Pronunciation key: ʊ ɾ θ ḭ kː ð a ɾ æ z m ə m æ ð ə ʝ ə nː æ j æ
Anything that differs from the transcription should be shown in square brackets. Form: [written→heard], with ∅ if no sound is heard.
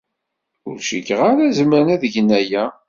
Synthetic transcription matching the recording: ʊ ɾ [θ→ʃ] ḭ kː [ð→ʁ] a ɾ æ z m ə [m→n] æ ð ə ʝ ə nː æ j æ